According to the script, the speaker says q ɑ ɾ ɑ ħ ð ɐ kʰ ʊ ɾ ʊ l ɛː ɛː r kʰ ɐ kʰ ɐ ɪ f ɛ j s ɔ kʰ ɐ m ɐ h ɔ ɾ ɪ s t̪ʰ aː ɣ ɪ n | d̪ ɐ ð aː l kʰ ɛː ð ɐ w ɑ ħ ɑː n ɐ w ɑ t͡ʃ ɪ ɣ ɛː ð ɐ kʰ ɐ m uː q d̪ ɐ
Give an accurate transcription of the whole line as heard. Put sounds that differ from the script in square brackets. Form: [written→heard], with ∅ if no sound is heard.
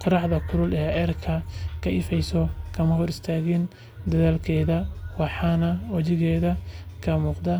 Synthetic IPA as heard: q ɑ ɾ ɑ ħ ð ɐ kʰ ʊ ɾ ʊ l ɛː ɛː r kʰ ɐ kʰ ɐ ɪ f ɛ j s ɔ kʰ ɐ m ɐ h ɔ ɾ ɪ s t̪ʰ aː ɣ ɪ n | d̪ ɐ ð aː l kʰ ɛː ð ɐ w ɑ ħ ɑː n ɐ w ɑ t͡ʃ ɪ ɣ ɛː ð ɐ kʰ ɐ m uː q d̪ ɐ